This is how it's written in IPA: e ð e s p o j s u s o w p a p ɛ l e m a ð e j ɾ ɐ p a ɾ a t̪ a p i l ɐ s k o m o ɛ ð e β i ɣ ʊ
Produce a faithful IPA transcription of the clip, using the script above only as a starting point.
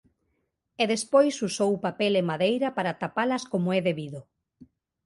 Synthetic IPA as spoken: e ð e s p o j s u s o w p a p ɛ l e m a ð e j ɾ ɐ p a ɾ a t̪ a p a l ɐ s k o m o ɛ ð e β i ð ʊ